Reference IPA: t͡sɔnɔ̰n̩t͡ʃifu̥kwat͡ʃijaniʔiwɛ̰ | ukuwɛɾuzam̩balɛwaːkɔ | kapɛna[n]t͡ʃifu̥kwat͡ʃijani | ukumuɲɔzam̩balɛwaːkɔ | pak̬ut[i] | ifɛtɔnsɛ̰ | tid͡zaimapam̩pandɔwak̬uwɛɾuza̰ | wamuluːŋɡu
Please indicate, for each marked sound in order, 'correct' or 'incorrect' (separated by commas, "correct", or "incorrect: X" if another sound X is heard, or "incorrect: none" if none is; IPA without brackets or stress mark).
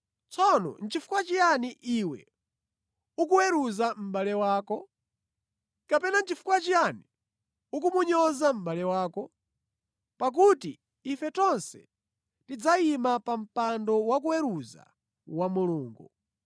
correct, correct